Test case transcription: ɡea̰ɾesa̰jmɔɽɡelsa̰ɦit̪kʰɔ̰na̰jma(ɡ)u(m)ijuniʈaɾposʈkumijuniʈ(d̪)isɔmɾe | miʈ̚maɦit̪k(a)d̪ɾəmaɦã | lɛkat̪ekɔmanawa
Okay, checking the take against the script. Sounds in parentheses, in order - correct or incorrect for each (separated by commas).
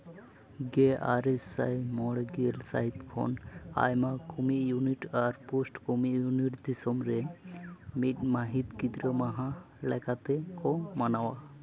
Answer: incorrect, correct, correct, incorrect